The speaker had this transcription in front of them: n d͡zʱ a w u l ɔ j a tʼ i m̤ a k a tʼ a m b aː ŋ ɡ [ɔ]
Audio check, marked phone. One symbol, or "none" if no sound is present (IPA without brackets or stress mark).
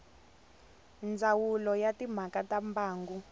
u